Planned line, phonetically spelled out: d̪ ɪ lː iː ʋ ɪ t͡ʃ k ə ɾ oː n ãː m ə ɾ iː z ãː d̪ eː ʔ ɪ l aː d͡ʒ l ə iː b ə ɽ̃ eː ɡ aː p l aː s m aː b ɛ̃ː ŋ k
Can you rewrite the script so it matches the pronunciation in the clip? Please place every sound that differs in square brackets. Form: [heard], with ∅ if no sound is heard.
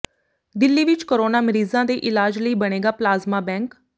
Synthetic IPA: d̪ ɪ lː iː ʋ ɪ t͡ʃ k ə ɾ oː n [aː] m ə ɾ iː z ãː d̪ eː ʔ ɪ l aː d͡ʒ l ə iː b ə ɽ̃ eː ɡ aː p l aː [z] m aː b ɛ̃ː ŋ k